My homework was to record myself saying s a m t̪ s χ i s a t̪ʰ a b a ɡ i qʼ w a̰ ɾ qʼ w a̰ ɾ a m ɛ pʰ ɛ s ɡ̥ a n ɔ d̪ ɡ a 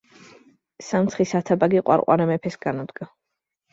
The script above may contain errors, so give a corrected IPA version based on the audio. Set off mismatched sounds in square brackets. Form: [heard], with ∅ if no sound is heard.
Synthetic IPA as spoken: s a m t̪ s χ i s a t̪ʰ a b a ɡ i qʼ w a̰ ɾ qʼ w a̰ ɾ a m ɛ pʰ ɛ s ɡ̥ a n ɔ d̪ ɡ a